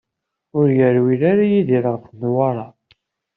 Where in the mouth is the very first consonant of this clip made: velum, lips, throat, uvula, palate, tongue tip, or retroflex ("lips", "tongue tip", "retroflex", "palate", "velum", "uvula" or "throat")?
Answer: tongue tip